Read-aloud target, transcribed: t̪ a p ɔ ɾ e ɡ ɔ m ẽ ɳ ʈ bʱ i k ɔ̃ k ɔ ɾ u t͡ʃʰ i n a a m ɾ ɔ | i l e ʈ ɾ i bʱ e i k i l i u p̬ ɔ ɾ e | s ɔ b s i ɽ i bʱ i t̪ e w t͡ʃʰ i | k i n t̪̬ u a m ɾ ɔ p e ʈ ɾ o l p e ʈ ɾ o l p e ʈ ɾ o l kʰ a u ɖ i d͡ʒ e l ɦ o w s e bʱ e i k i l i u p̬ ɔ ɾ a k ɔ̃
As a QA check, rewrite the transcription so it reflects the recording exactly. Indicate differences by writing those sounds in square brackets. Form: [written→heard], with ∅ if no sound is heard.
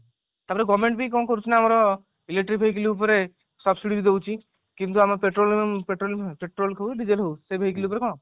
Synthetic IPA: t̪ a p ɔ ɾ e ɡ ɔ m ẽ ɳ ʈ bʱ i k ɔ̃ k ɔ ɾ u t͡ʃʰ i n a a m ɾ ɔ | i l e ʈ ɾ i bʱ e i k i l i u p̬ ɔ ɾ e | s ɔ b s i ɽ i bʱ i [t̪→d̪] e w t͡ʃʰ i | k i n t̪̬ u a m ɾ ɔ p e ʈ ɾ o l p e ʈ ɾ o l p e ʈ ɾ o l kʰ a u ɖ i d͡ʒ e l ɦ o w s e bʱ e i k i l i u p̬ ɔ ɾ [a→e] k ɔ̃